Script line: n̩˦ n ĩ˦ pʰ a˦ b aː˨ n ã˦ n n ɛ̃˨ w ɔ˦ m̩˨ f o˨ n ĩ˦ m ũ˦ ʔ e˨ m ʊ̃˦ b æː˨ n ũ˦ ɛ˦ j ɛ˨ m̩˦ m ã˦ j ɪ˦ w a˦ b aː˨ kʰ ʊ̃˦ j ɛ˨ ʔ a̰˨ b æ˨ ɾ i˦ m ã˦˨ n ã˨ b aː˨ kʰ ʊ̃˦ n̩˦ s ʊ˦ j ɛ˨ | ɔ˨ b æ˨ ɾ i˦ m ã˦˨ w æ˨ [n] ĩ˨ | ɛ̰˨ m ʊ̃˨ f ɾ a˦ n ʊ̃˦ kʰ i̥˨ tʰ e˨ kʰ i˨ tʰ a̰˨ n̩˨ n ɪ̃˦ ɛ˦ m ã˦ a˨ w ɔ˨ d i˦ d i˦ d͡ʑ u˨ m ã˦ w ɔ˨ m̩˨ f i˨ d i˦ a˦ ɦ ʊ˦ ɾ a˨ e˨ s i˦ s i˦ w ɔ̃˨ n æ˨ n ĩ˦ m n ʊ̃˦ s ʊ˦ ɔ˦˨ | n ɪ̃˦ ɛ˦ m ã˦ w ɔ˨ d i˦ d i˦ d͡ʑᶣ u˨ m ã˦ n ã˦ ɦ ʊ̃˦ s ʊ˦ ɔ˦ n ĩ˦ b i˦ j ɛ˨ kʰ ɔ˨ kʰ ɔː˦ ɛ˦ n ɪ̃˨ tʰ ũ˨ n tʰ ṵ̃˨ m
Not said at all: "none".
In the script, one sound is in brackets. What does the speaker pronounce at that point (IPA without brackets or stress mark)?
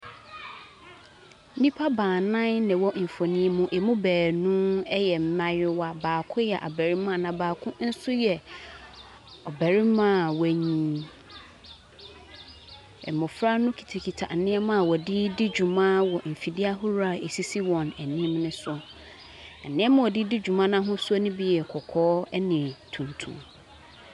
ɲ